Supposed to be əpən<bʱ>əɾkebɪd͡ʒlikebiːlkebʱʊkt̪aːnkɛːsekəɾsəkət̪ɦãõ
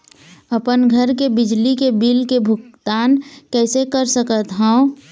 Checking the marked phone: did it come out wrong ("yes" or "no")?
yes